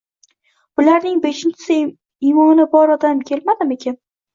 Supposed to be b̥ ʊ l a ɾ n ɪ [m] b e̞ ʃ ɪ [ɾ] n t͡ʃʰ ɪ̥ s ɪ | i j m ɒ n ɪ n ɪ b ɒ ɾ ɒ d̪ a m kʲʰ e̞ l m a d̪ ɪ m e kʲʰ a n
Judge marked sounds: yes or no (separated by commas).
no, no